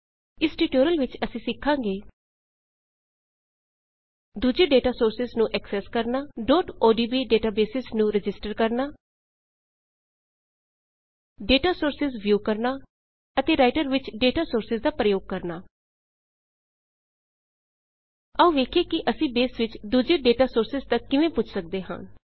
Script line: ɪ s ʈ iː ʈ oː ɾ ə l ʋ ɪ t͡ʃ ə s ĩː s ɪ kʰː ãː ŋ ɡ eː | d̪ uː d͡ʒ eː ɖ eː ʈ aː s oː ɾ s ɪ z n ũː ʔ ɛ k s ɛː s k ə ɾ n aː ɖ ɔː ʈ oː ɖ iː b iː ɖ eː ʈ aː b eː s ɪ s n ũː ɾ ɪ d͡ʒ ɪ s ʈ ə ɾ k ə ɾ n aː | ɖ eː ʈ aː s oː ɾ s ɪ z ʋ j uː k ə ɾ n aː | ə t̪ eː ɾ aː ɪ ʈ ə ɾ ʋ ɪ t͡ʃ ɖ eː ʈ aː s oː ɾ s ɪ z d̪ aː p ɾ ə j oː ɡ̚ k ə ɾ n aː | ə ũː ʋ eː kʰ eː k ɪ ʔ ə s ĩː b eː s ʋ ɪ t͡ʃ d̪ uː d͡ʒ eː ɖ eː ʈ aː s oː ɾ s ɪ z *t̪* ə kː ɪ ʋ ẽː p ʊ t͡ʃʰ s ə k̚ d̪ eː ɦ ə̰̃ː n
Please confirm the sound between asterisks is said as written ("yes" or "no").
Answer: yes